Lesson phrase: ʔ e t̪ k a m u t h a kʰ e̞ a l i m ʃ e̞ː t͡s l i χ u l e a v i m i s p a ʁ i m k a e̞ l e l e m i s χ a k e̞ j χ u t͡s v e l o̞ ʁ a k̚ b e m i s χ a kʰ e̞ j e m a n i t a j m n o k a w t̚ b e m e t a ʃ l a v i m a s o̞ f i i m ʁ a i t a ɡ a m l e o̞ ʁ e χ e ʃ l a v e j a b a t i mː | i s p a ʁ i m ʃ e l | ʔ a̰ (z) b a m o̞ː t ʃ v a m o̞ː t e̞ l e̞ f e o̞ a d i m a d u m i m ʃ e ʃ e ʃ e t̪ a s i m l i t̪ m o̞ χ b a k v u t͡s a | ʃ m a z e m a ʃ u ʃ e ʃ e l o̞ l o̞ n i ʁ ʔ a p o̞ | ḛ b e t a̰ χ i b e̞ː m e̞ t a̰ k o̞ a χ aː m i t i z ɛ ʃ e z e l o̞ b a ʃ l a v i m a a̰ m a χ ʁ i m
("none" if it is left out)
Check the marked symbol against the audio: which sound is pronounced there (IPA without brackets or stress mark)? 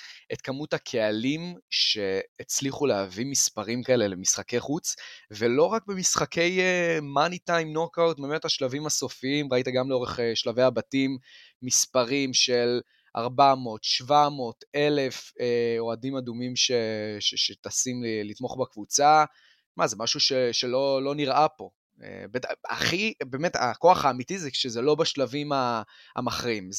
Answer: ʁ